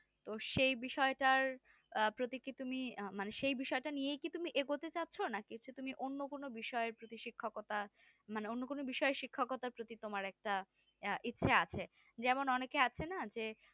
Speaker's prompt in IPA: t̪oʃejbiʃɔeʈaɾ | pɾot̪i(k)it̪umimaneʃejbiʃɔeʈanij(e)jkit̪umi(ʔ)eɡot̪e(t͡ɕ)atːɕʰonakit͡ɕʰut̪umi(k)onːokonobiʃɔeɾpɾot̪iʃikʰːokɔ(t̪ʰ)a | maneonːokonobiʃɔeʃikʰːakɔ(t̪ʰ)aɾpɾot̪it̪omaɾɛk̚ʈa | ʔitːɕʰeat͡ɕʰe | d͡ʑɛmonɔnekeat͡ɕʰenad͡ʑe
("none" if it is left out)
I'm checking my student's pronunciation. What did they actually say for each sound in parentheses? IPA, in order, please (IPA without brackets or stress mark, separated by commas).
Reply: k, e, ʔ, t͡ɕ, ʔ, t̪, t̪